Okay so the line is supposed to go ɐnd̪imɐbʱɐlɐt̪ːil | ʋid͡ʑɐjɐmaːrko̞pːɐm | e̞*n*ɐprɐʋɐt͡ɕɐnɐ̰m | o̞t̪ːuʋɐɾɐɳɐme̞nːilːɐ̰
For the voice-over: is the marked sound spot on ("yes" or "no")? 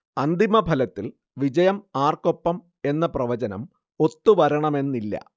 no